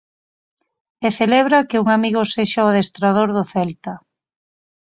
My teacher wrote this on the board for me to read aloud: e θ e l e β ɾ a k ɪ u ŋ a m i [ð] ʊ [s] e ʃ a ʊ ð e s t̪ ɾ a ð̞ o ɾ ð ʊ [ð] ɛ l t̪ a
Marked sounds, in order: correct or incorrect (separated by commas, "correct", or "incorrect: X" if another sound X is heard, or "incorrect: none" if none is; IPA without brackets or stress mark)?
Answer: incorrect: ɣ, correct, incorrect: θ